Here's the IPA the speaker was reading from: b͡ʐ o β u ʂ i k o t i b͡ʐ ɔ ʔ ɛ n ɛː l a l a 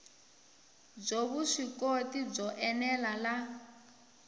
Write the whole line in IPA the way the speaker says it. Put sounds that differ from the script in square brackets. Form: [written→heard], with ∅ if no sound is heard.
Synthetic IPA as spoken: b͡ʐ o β u ʂ i k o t i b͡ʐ ɔ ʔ ɛ n [ɛː→ɛ] l a l a